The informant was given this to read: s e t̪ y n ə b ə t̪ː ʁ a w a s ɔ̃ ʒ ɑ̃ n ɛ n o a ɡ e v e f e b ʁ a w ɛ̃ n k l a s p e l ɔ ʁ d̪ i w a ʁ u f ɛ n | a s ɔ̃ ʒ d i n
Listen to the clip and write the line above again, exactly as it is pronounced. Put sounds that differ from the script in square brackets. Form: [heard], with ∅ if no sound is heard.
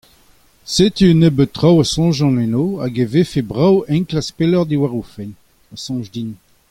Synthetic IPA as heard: s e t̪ y n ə b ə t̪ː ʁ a w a s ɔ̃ ʒ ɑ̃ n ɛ n o a ɡ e v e f e b ʁ a w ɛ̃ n k l a s p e l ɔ ʁ d̪ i w a ʁ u f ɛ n | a s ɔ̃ ʒ d i n